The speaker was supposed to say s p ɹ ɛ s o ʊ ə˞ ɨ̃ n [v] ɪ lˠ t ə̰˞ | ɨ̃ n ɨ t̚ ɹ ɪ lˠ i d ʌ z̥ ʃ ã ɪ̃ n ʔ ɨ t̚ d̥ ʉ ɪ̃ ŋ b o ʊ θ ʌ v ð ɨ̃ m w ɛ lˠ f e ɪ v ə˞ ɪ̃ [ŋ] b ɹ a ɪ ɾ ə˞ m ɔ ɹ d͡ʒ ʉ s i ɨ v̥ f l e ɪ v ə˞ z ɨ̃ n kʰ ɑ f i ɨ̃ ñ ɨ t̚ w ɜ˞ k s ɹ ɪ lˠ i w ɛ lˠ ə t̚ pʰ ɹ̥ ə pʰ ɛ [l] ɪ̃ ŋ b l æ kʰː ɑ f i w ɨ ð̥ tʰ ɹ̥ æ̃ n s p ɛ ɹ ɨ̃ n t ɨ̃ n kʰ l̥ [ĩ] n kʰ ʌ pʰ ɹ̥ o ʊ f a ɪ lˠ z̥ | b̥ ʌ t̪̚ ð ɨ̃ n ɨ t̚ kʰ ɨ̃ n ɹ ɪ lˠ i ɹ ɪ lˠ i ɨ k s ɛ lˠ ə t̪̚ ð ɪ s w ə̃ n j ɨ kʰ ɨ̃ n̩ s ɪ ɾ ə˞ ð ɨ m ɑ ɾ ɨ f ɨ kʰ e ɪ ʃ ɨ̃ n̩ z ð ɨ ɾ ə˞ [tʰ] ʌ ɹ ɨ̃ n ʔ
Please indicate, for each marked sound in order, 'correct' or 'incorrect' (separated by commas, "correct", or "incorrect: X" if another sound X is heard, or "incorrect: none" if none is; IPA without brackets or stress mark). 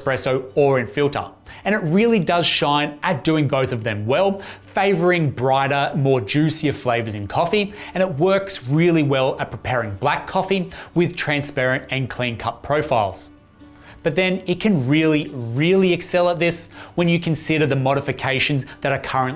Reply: incorrect: f, correct, incorrect: ɹ, correct, incorrect: kʰ